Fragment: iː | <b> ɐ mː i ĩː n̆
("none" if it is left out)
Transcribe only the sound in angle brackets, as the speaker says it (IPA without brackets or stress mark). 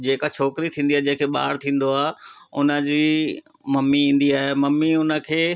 m